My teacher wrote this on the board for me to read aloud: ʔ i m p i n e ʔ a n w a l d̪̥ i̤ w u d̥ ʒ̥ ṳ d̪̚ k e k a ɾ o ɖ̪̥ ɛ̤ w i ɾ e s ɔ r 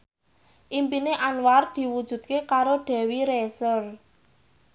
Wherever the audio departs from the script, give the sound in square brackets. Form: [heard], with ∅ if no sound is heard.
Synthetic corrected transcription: ʔ i m p i n e ʔ a n w a [r] d̪̥ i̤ w u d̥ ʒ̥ ṳ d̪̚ k e k a ɾ o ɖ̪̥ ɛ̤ w i ɾ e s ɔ r